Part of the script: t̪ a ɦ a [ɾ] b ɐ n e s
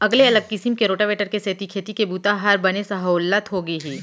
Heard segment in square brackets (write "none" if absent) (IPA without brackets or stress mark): ɾ